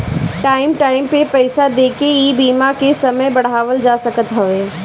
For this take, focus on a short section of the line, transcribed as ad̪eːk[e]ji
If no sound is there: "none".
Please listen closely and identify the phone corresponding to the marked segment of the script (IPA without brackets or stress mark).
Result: e